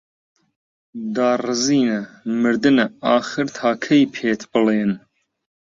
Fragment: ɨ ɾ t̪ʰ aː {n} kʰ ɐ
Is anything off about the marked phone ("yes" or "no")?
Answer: yes